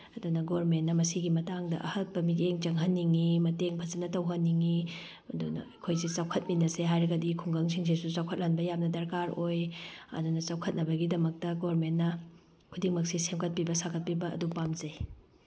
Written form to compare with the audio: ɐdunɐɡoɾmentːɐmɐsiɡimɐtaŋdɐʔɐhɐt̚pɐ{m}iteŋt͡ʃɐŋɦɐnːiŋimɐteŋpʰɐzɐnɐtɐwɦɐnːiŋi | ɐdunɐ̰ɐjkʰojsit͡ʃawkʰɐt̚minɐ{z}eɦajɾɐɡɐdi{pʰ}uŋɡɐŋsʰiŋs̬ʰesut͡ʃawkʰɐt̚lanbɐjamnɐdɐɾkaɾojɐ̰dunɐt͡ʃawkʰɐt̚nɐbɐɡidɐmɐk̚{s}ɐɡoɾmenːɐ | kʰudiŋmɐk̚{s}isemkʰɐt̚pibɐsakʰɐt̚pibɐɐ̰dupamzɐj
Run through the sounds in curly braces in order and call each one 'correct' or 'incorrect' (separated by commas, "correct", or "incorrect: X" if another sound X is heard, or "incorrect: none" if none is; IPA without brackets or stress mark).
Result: correct, incorrect: s, incorrect: kʰ, incorrect: t, correct